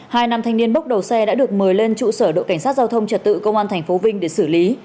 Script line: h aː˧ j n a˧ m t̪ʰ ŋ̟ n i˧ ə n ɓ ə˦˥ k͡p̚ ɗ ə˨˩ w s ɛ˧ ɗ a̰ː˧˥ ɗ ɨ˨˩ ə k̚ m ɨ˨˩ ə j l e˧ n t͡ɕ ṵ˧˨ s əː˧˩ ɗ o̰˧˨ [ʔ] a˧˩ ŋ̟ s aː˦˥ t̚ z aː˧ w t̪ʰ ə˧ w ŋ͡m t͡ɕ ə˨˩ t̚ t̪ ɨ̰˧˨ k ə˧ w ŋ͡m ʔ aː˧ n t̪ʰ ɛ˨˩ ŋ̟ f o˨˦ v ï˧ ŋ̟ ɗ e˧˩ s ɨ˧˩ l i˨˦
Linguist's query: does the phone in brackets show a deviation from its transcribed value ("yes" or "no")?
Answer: yes